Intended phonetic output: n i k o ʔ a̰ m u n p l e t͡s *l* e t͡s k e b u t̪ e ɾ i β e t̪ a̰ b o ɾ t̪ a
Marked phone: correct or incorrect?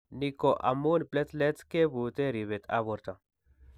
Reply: correct